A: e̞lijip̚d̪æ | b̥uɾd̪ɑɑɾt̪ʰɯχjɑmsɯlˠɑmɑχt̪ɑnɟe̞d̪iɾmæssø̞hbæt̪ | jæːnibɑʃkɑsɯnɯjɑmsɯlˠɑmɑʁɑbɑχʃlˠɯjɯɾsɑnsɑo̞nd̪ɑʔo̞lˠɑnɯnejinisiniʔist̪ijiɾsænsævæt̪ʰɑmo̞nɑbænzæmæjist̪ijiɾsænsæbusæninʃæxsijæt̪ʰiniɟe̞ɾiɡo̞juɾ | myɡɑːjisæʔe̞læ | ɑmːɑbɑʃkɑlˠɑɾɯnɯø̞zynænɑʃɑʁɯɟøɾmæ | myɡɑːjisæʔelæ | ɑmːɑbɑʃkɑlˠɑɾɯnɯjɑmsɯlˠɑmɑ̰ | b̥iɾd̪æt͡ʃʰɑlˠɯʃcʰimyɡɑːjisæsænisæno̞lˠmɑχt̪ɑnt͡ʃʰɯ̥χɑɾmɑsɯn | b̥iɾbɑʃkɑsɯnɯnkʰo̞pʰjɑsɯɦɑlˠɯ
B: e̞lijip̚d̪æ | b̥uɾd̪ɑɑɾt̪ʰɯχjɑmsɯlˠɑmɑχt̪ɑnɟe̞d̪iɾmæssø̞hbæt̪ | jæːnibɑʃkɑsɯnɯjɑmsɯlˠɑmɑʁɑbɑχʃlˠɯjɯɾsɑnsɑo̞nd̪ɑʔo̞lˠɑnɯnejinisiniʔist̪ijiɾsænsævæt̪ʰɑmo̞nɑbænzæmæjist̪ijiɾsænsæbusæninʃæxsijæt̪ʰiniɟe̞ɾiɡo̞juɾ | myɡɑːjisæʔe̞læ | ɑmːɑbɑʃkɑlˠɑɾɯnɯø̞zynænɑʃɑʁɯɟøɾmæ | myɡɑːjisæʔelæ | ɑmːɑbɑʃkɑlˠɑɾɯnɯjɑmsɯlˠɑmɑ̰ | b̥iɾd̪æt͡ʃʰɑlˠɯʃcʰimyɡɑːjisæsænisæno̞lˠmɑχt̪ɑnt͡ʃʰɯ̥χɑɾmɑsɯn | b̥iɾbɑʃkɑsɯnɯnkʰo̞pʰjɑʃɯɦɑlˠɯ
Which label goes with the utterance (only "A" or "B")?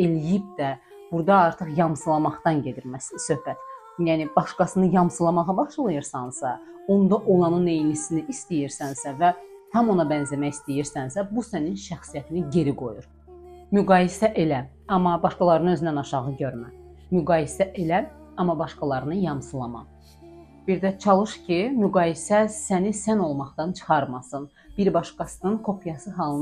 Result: A